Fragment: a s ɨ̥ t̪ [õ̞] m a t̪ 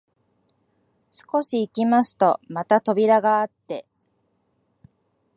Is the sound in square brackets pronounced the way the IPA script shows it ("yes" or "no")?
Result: no